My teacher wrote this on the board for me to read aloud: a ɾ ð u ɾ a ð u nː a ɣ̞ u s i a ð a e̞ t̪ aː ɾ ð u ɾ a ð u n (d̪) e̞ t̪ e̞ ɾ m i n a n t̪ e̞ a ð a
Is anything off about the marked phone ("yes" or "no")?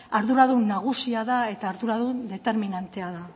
no